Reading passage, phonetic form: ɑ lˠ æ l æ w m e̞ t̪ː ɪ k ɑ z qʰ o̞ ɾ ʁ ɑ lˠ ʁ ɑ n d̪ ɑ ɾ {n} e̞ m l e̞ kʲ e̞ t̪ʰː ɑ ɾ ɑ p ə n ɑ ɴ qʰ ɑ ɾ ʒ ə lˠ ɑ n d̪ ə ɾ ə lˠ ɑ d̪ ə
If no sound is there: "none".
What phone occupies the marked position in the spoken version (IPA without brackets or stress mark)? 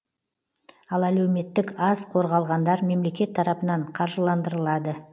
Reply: m